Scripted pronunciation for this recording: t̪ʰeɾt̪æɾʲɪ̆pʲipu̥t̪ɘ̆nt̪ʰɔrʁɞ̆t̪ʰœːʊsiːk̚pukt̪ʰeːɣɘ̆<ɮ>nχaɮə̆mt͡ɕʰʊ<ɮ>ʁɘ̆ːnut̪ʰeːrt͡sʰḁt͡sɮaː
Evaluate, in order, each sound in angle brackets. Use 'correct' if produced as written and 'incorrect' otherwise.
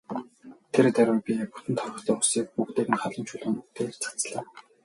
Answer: incorrect: none, correct

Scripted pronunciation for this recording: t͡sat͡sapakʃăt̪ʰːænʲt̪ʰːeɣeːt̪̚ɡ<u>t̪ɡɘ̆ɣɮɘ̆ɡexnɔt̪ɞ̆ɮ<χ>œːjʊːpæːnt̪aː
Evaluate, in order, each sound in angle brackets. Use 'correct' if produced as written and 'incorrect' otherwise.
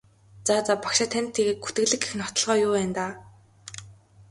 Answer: correct, incorrect: ʁ

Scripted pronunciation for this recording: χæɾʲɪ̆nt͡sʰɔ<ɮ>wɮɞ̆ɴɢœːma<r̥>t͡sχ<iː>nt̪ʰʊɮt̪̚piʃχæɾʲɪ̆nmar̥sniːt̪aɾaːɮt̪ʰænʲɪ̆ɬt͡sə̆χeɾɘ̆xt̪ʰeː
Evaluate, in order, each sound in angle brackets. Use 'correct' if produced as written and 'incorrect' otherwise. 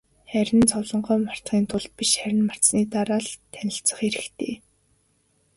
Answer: incorrect: none, correct, correct

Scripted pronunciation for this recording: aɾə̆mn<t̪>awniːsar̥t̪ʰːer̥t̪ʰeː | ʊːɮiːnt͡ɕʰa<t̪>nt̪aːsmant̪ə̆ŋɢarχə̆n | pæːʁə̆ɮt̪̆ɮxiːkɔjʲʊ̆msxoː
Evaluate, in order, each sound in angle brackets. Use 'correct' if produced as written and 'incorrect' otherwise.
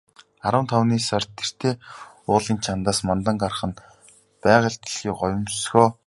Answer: incorrect: t̪ʰ, incorrect: none

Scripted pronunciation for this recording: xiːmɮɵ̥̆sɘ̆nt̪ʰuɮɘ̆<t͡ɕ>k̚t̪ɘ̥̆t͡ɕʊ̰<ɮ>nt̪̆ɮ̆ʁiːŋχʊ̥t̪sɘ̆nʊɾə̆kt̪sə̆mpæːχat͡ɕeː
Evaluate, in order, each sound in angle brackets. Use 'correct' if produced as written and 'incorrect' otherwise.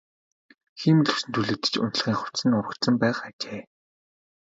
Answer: incorrect: none, incorrect: none

